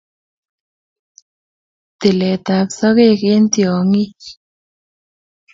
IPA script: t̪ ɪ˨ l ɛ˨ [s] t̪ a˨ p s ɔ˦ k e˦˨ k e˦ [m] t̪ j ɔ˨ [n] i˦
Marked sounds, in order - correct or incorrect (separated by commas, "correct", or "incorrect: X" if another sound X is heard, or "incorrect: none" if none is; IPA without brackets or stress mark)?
incorrect: none, incorrect: n, incorrect: ŋ